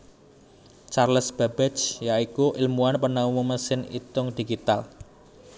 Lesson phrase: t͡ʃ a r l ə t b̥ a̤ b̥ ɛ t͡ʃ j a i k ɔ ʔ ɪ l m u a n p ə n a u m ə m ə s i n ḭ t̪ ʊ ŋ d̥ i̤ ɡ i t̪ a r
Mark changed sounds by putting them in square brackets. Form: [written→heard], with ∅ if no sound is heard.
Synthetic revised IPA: t͡ʃ a r l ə [t→s] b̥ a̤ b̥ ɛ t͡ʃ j a i k [ɔ→u] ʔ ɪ l m u a n p ə n a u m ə m ə s [i→ɪ] n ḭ t̪ ʊ ŋ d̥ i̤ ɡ i t̪ a [r→l]